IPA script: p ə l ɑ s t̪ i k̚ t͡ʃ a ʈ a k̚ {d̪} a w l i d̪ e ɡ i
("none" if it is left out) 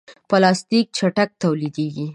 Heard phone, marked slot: t̪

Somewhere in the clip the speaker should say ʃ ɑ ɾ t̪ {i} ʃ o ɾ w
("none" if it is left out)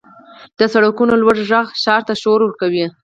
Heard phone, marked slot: a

